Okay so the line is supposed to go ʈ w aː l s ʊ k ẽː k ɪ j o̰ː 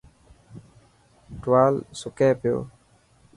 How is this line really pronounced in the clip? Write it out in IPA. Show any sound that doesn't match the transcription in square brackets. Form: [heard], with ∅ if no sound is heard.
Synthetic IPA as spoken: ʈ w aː l s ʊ k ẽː [p] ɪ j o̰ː

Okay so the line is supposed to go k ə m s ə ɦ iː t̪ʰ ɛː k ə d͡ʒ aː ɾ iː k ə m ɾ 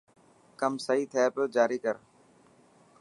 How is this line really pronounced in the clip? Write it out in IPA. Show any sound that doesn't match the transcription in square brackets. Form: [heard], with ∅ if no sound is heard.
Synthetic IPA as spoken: k ə m s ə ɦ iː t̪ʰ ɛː [p] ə d͡ʒ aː ɾ iː k ə [∅] ɾ

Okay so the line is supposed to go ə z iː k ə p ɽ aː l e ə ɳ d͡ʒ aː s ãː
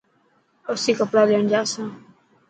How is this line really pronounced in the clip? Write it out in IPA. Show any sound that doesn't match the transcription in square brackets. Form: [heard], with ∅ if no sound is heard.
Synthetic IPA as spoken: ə [s] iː k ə p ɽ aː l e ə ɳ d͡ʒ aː s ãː

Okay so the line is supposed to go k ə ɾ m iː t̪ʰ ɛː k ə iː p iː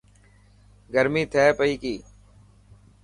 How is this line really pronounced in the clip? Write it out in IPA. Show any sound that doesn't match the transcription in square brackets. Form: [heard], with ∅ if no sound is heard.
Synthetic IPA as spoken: [ɡ] ə ɾ m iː t̪ʰ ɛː [p] ə iː [k] iː

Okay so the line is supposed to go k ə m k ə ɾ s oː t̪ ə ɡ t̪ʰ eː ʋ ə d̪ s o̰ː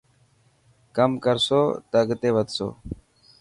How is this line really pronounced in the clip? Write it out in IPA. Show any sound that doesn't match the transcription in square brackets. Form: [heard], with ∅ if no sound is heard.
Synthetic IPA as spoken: k ə m k ə ɾ s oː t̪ ə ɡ [t̪] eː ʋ ə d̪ s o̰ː

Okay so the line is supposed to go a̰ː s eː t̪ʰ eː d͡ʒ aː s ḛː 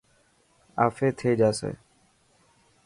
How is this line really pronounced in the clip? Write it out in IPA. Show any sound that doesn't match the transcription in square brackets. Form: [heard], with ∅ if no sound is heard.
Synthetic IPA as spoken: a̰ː [f] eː t̪ʰ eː d͡ʒ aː s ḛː

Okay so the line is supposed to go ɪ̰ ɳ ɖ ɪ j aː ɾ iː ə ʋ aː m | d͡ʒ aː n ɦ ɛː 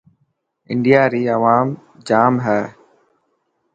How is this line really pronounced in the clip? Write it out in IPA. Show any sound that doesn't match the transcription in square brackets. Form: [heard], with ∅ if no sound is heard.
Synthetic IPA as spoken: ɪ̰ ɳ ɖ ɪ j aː ɾ iː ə ʋ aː m | d͡ʒ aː [m] ɦ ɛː

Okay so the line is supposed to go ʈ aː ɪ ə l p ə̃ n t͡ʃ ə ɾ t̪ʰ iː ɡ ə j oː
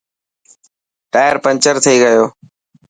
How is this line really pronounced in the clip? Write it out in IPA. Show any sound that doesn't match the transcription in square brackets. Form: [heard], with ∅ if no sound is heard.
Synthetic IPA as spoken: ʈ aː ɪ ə [ɾ] p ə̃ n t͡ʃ ə ɾ t̪ʰ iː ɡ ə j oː

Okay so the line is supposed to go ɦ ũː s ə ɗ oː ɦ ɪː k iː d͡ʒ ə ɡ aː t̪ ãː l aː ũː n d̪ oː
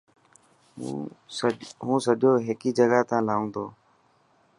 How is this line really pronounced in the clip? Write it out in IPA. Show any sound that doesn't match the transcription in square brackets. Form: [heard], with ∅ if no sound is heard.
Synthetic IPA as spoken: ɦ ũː s ə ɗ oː ɦ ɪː k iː d͡ʒ ə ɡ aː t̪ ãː l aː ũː n d̪ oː

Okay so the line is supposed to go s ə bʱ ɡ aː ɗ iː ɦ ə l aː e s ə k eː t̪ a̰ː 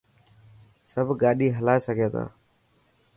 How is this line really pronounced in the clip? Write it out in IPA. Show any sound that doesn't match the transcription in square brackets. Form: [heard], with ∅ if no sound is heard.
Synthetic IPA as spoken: s ə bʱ ɡ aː ɗ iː ɦ ə l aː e s ə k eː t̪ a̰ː

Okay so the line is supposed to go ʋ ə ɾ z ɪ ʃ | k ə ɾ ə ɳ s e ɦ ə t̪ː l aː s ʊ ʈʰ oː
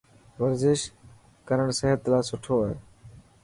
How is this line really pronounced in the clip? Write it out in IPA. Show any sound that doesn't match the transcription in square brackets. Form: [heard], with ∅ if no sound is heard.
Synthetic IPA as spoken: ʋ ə ɾ z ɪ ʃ | k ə ɾ ə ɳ s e ɦ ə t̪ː l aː s ʊ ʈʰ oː

